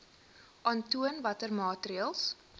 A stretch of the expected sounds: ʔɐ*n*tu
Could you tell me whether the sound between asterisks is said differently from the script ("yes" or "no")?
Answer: no